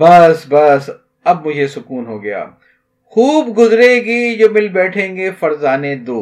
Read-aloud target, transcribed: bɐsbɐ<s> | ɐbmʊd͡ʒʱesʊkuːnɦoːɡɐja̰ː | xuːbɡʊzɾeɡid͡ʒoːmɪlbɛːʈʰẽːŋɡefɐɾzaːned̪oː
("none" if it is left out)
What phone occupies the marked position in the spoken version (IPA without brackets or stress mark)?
s